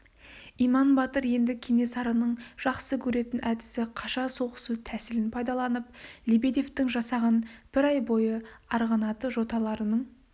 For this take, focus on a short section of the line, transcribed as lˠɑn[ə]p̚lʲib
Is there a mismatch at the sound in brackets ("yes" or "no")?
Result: no